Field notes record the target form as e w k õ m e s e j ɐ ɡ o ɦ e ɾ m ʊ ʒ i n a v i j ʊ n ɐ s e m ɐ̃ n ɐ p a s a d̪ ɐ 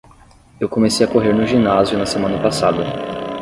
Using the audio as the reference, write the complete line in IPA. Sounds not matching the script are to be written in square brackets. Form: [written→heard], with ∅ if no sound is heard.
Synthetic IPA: e w k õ m e s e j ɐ [ɡ→k] o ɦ e ɾ [m→n] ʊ ʒ i n a [v→z] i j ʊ n ɐ s e m ɐ̃ n ɐ p a s a d̪ ɐ